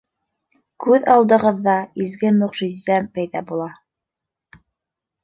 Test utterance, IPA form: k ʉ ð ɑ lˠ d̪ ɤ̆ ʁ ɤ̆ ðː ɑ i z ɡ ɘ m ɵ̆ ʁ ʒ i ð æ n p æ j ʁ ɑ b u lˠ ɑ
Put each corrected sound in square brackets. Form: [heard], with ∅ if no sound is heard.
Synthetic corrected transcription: k ʉ ð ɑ lˠ d̪ ɤ̆ ʁ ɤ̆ ðː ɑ i z ɡ ɘ m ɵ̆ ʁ ʒ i [z] æ [m] p æ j [ð] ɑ b u lˠ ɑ